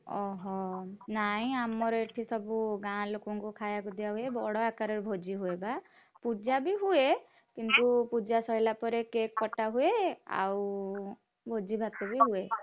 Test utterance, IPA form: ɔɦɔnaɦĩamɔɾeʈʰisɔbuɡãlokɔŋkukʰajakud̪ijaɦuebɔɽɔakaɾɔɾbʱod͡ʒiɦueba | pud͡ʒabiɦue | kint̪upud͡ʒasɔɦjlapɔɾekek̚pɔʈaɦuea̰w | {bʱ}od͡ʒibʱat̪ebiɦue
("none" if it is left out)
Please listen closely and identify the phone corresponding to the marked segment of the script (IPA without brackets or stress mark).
bʱ